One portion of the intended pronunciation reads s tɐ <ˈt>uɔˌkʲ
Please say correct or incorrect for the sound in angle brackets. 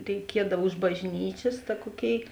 incorrect